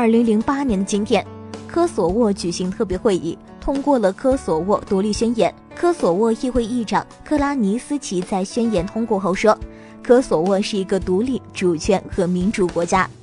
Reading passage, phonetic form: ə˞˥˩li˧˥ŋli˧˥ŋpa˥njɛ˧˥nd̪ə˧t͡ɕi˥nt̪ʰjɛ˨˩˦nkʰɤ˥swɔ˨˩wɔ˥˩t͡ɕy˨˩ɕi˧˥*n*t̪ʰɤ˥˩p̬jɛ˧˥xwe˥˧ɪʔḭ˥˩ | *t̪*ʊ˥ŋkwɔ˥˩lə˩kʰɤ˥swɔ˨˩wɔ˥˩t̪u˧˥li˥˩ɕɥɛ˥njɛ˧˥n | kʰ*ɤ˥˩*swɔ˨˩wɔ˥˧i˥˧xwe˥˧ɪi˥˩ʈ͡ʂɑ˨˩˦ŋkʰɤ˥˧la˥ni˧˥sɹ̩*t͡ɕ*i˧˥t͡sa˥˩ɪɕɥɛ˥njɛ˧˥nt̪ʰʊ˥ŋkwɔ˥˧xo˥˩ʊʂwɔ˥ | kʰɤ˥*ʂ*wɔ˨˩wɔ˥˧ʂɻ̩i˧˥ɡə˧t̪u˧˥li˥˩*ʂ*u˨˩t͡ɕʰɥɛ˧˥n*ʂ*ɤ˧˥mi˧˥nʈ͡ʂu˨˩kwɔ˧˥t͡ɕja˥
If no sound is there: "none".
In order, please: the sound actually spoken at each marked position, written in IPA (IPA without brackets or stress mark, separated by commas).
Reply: ŋ, t̪ʰ, ɤ˥, t͡ɕʰ, s, ʈ͡ʂ, x